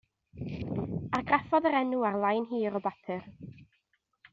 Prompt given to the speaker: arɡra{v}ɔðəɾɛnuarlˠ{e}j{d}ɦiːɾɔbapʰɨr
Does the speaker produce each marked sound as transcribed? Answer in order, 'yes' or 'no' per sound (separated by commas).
no, no, no